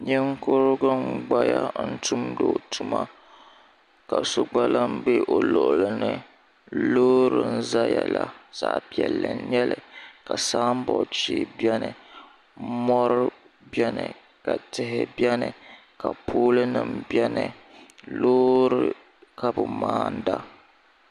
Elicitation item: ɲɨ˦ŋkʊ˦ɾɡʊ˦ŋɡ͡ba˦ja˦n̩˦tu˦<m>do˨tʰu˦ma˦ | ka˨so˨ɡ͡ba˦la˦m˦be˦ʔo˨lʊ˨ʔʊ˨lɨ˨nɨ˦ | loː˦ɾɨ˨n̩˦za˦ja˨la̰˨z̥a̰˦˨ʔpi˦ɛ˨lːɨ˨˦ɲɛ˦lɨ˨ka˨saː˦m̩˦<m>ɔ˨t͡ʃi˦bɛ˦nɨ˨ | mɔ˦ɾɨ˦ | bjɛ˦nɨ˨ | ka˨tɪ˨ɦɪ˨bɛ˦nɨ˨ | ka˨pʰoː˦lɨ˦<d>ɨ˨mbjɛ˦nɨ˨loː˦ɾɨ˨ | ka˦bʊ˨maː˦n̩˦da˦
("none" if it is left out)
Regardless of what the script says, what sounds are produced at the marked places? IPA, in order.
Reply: m, b, n

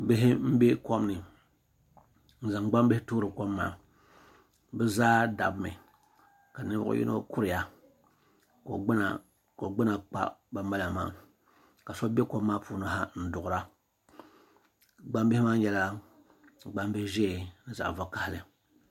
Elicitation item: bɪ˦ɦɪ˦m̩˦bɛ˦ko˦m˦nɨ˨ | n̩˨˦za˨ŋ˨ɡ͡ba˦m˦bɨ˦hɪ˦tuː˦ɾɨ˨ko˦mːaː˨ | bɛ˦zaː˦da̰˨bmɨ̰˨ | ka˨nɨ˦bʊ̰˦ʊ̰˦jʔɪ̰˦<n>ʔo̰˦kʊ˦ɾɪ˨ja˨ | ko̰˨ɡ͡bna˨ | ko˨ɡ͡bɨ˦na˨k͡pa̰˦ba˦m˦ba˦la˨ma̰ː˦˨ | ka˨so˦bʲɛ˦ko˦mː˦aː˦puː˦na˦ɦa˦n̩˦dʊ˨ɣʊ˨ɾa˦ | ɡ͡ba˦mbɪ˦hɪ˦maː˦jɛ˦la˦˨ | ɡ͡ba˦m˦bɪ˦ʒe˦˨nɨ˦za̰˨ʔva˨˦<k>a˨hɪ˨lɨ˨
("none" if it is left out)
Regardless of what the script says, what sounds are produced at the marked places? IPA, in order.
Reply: n, k

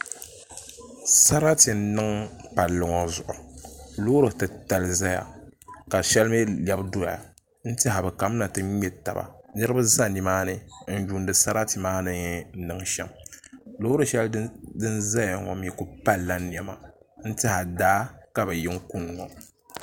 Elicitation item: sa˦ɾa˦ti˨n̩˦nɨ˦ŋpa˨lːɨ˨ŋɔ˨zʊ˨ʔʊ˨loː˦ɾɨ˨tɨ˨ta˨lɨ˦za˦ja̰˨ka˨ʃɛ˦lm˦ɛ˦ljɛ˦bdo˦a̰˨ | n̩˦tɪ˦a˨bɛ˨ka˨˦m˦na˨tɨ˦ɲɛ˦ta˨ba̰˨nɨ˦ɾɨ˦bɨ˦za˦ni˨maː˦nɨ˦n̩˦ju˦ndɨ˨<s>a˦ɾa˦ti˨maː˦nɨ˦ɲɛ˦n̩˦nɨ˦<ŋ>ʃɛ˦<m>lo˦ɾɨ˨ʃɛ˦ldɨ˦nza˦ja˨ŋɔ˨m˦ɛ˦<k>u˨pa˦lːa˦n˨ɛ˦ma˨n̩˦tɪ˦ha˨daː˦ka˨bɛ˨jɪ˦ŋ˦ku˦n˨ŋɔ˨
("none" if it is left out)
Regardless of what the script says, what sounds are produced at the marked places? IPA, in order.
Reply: s, ŋ, m, k

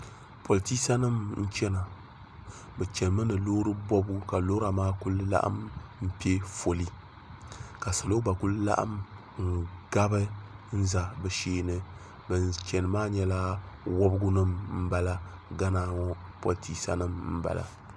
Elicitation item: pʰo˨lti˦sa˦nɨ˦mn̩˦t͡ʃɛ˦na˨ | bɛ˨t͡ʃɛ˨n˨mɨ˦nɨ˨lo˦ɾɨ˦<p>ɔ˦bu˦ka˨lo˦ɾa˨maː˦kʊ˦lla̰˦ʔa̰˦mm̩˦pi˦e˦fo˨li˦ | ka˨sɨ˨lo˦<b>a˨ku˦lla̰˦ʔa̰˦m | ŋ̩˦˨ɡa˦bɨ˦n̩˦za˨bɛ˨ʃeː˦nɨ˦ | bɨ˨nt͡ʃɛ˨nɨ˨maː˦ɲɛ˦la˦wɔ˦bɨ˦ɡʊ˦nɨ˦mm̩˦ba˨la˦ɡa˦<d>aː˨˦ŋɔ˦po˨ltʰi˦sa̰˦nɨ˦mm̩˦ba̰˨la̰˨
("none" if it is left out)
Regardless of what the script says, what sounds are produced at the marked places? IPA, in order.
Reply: b, b, n

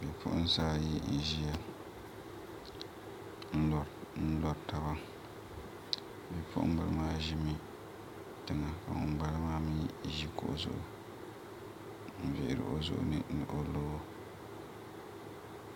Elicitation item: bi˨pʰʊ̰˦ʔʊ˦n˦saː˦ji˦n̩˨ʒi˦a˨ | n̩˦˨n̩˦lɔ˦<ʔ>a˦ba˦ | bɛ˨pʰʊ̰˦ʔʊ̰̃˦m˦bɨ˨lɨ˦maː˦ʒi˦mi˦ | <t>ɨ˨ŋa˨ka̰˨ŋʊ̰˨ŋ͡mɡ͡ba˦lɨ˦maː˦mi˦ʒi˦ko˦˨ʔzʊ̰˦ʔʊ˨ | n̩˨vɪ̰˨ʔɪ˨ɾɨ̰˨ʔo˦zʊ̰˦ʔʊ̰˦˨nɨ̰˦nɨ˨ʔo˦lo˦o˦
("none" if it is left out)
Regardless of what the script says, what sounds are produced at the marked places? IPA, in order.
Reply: t, t

